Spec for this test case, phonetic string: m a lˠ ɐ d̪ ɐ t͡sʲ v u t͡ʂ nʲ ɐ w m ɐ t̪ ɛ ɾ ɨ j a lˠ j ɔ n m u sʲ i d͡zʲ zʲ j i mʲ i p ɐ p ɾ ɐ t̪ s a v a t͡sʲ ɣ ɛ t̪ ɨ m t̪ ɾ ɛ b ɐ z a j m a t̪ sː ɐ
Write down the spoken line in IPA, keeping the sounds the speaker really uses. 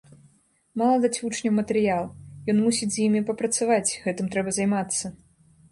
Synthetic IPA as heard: m a lˠ ɐ d̪ a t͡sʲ v u t͡ʂ nʲ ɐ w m ɐ t̪ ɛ ɾ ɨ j a lˠ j ɔ n m u sʲ i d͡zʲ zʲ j i mʲ i p ɐ p ɾ ɐ t̪ s a v a t͡sʲ ɣ ɛ t̪ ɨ m t̪ ɾ ɛ b ɐ z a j m a t̪ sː ɐ